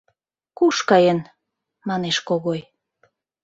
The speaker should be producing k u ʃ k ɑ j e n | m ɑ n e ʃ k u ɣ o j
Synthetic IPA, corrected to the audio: k u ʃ k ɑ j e n | m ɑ n e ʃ k o ɣ o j